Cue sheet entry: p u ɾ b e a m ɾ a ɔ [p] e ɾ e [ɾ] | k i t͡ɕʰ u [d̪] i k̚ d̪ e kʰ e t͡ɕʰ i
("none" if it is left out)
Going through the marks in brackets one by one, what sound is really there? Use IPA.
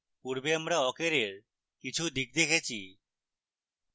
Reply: k, ɾ, d̪

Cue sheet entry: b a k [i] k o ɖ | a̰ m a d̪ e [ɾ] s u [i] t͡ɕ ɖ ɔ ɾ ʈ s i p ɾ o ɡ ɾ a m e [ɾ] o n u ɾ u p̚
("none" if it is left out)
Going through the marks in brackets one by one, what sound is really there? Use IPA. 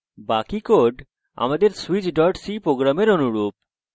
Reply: i, ɾ, i, ɾ

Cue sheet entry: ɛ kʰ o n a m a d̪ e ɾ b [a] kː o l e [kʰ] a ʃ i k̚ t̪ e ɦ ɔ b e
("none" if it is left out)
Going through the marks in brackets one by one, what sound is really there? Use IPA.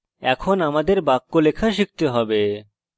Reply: a, kʰ

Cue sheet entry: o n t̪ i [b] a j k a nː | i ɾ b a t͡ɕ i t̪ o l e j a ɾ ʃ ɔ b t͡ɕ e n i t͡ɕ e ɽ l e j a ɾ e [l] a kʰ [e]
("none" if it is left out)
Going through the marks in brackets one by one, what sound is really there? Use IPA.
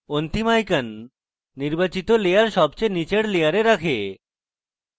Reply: m, ɾ, e

